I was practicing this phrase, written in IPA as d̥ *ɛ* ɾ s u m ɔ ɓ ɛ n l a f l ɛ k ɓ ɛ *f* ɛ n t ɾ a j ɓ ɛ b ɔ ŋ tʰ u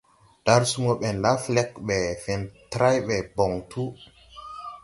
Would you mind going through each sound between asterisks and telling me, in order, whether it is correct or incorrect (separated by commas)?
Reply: incorrect, correct